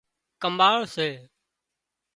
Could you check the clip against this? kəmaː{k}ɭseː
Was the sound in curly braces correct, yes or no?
no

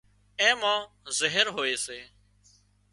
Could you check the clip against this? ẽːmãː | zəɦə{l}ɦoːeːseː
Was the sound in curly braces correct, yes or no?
no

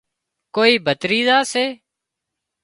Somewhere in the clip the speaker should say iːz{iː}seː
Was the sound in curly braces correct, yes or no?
no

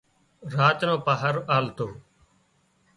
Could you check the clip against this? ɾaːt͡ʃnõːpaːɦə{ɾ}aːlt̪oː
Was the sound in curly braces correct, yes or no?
yes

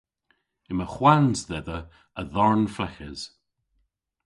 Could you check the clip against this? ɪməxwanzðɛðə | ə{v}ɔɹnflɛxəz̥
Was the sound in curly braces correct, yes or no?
no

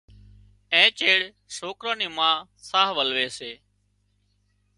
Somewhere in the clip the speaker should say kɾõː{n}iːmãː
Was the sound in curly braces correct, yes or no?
yes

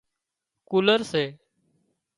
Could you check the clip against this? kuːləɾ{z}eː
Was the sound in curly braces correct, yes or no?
no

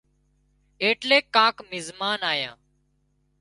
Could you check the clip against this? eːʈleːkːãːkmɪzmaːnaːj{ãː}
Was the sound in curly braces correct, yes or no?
yes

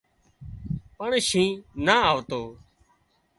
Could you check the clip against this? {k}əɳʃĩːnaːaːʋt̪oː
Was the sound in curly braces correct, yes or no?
no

